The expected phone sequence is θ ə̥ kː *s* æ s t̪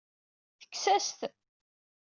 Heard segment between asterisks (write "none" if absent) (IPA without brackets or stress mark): s